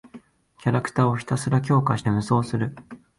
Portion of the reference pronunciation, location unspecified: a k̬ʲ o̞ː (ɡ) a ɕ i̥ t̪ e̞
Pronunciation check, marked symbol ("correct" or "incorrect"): incorrect